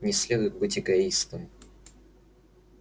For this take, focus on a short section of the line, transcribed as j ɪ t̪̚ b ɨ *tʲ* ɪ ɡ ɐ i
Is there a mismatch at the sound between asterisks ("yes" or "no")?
no